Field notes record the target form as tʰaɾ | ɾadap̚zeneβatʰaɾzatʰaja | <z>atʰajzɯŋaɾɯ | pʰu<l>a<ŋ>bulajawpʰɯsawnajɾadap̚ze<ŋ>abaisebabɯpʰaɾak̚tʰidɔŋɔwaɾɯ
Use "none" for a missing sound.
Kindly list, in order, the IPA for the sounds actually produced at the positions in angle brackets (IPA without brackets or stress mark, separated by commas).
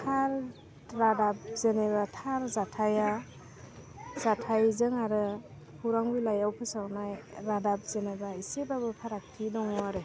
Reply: z, ɾ, ŋ, n